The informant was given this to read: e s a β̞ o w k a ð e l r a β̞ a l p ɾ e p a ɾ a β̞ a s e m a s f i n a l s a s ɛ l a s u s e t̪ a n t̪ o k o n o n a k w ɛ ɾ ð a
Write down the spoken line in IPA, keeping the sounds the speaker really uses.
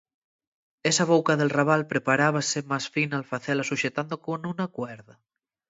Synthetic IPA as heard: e s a β̞ o w k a ð e l r a β̞ a l p ɾ e p a ɾ a β̞ a s e m a s f i n a l f a θ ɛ l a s u ʃ e t̪ a n d̪ o k o n u n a k w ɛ ɾ ð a